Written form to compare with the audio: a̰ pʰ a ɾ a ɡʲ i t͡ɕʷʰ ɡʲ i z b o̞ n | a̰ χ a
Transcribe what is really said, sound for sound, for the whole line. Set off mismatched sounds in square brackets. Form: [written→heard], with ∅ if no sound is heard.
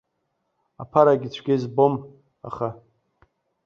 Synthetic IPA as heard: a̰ pʰ a ɾ a ɡʲ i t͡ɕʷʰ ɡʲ [i→e] z b o̞ [n→m] | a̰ χ a